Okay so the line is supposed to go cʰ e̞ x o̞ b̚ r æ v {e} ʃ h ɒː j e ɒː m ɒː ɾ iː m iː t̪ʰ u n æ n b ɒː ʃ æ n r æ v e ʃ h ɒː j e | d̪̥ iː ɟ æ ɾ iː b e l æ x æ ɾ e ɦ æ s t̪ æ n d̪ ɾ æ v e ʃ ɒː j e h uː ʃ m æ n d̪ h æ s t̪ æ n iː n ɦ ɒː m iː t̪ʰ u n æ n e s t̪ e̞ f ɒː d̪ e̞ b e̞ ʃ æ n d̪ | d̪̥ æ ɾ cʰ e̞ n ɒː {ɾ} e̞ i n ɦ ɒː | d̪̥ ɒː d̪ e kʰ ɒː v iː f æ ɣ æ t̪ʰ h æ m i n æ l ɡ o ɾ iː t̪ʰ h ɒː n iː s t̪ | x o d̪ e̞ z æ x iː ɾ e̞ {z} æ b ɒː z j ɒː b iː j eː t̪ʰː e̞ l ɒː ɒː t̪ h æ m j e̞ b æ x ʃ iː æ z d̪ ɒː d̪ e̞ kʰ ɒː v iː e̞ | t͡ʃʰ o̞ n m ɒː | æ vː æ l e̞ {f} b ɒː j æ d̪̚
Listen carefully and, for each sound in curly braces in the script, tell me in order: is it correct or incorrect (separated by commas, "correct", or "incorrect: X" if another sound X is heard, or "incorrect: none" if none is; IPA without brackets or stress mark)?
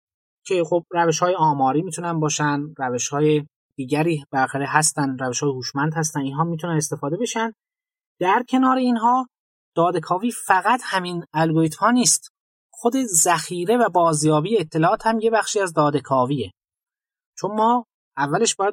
correct, correct, incorrect: v, incorrect: ʃ